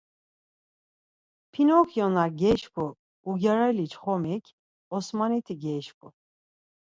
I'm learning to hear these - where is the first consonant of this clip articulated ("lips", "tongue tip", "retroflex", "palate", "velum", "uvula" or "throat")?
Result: lips